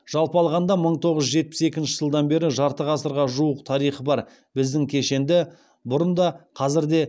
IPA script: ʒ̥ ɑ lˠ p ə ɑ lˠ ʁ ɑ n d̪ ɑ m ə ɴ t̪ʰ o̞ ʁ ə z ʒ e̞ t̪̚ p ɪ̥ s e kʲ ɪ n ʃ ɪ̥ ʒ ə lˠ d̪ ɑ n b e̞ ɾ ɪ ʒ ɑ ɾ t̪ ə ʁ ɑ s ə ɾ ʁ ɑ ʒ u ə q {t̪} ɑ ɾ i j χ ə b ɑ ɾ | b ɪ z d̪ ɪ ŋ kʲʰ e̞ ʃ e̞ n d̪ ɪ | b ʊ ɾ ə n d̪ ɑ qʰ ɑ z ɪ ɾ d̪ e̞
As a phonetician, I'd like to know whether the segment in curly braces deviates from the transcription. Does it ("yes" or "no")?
yes